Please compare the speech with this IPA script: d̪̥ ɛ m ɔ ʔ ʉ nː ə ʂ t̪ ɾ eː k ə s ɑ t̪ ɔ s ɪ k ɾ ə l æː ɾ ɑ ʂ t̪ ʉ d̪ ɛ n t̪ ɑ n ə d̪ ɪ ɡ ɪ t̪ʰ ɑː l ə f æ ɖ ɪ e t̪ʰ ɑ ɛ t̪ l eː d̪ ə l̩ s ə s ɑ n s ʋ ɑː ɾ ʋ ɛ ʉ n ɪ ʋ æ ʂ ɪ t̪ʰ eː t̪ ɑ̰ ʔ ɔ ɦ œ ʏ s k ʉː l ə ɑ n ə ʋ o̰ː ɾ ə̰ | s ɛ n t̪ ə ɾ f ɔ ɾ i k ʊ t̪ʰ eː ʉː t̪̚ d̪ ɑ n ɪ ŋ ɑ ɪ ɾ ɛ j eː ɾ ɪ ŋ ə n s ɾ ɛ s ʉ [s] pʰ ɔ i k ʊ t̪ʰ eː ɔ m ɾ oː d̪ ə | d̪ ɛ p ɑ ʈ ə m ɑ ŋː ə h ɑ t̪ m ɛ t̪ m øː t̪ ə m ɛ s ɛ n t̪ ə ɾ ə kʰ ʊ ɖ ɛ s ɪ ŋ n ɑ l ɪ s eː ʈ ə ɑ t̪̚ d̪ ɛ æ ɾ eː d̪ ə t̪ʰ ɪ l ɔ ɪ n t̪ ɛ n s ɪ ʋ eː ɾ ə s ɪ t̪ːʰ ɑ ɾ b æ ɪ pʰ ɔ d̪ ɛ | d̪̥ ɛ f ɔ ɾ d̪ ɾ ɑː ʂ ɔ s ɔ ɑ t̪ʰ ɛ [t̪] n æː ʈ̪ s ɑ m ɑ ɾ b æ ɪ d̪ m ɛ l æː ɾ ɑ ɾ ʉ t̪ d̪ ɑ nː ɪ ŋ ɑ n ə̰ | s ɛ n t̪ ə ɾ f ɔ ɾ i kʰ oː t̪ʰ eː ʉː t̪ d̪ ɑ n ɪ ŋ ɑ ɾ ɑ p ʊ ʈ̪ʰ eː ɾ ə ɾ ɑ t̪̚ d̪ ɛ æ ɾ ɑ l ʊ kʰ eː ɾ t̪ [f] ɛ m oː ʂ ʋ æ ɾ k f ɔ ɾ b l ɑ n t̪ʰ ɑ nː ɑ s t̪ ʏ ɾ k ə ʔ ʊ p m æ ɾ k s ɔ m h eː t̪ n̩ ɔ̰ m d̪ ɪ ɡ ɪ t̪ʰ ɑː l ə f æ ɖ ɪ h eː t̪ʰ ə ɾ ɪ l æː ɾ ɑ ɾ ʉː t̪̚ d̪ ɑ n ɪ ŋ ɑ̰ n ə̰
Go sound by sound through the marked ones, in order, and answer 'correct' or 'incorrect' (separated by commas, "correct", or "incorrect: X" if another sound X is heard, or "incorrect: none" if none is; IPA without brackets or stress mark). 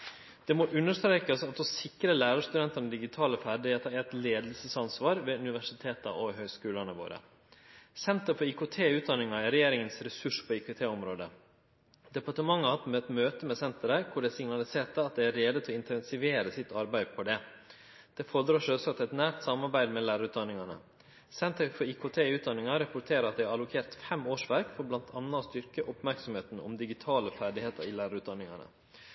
incorrect: ʂ, correct, correct